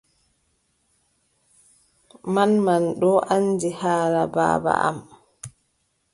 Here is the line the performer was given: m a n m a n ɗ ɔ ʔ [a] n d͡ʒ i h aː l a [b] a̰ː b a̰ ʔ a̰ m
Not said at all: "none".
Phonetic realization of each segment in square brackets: a, b

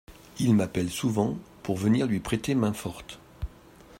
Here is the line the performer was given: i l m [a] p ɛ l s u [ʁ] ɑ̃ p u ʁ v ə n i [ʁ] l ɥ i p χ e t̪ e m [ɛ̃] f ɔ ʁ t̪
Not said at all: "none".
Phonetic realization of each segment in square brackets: a, v, ʁ, ɛ̃

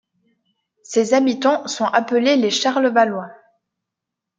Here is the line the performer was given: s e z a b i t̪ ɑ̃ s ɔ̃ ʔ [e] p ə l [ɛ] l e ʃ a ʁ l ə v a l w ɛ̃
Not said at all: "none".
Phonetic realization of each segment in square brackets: a, e

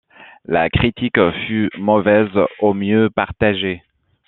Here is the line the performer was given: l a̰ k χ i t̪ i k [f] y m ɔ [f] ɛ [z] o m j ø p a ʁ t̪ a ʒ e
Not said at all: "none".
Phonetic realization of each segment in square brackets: f, v, z

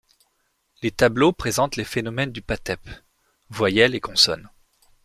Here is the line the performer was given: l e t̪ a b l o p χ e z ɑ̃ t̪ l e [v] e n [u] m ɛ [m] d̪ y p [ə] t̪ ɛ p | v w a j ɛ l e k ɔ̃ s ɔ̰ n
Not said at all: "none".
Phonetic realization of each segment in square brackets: f, ɔ, n, a

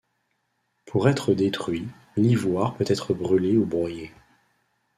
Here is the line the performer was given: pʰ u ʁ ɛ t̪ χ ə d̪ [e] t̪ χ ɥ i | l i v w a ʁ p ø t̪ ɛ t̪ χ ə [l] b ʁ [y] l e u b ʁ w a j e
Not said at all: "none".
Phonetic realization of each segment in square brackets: e, none, y

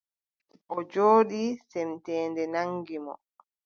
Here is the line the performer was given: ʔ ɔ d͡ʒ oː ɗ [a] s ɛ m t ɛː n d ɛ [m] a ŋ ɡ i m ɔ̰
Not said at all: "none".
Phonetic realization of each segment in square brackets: i, n

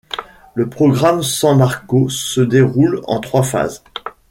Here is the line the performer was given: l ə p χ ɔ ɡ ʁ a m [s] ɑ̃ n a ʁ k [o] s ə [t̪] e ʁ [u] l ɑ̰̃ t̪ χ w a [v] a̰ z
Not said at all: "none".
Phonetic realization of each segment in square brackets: s, o, d̪, u, f

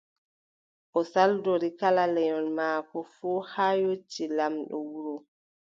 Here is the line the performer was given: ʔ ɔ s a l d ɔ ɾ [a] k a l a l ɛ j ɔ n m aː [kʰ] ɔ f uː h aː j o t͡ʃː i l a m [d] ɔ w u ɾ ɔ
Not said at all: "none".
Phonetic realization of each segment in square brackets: i, k, ɗ

